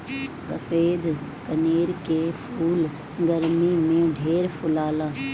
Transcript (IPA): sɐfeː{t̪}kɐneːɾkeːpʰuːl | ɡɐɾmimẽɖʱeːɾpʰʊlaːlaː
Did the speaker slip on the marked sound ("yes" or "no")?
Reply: yes